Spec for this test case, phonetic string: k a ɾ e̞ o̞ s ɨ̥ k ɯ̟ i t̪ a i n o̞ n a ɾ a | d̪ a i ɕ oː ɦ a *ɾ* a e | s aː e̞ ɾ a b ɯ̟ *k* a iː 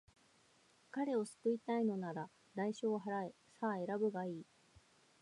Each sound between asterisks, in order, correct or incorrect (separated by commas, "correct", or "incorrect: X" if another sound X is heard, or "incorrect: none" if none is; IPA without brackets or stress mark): correct, incorrect: ɡ